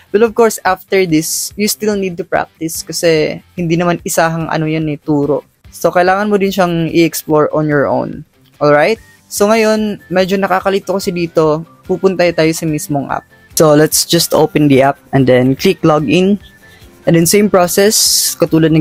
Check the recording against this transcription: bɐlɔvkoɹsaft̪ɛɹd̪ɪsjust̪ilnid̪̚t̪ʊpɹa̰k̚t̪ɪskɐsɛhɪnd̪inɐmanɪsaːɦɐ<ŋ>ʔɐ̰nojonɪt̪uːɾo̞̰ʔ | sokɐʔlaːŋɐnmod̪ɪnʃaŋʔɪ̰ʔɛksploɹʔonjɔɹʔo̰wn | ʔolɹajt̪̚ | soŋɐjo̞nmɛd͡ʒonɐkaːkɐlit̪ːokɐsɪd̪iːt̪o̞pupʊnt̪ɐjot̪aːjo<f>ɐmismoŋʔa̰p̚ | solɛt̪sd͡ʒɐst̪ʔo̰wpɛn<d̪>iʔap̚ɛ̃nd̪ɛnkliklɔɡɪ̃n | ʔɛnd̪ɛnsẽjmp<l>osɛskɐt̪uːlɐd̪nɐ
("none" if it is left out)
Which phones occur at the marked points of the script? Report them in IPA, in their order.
ŋ, s, d̪, ɹ

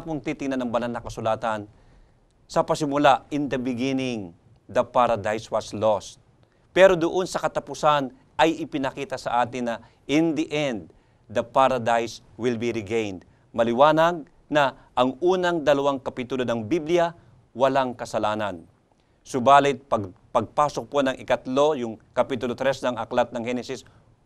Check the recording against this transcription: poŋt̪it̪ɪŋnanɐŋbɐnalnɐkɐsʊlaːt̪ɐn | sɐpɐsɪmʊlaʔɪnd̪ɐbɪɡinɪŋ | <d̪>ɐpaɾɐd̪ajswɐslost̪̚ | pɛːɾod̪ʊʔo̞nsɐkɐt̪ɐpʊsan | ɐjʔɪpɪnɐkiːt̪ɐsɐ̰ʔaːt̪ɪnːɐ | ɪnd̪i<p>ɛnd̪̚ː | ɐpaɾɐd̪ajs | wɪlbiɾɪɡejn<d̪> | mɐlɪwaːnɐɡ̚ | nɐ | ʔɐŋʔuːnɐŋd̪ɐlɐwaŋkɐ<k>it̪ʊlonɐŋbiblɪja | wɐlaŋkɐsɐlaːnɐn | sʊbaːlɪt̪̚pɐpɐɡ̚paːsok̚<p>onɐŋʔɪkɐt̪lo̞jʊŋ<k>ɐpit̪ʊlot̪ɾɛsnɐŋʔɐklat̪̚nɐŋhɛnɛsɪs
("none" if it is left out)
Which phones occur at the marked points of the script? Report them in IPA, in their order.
d̪, ʔ, d̪, p, p, k

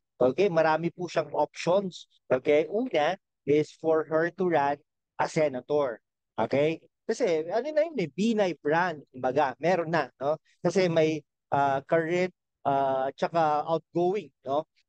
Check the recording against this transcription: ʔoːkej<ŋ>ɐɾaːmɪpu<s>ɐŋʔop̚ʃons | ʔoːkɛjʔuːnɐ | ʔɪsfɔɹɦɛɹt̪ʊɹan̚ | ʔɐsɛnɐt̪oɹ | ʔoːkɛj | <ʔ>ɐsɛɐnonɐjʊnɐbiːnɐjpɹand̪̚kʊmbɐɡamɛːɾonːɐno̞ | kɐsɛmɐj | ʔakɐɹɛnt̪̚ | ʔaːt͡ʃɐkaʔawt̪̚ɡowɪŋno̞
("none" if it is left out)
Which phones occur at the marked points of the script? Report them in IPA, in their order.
m, ʃ, k

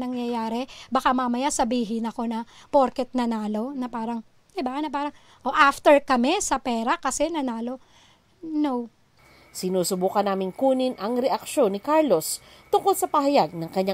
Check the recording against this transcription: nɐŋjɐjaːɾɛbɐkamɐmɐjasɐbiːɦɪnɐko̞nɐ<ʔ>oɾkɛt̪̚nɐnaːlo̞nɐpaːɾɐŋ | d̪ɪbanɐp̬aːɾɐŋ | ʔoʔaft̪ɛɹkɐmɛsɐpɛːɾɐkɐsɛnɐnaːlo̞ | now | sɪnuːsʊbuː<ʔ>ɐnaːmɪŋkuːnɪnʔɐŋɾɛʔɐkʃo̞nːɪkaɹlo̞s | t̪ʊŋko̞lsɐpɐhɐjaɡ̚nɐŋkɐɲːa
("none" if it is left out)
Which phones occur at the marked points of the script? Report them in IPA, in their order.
p, k

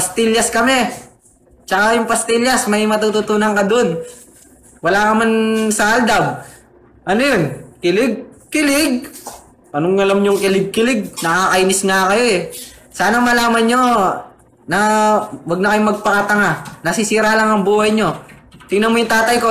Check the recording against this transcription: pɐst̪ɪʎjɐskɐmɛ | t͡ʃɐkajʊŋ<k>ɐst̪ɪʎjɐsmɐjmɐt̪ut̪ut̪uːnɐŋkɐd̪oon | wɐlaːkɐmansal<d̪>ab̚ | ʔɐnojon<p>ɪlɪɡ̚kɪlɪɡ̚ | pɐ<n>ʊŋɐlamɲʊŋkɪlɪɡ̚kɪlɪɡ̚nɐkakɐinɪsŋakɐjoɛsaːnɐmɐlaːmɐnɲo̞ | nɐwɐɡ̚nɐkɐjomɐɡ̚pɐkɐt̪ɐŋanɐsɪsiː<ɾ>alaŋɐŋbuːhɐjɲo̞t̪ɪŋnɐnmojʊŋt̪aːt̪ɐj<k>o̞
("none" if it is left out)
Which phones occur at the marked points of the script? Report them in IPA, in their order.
p, d̪, k, n, ɾ, k

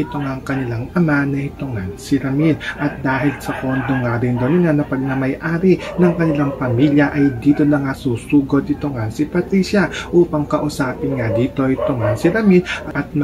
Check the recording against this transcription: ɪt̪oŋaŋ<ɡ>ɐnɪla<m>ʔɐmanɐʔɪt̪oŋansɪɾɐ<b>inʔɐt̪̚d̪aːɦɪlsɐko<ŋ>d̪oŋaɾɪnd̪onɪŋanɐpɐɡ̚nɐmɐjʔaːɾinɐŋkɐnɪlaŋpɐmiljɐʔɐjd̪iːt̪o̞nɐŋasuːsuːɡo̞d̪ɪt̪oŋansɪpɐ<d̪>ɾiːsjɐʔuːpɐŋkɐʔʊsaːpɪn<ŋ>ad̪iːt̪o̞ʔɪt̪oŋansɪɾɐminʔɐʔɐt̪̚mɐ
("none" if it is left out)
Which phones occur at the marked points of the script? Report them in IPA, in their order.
k, ŋ, m, n, t̪, ŋ

